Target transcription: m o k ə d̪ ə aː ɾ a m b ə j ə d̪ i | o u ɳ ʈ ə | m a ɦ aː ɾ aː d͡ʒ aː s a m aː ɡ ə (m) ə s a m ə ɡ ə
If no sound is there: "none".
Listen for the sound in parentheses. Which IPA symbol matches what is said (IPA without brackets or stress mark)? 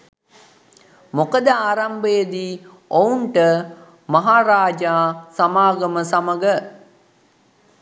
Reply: m